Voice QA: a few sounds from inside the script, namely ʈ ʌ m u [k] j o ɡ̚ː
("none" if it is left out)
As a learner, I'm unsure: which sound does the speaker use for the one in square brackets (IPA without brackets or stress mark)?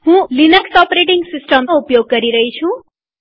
p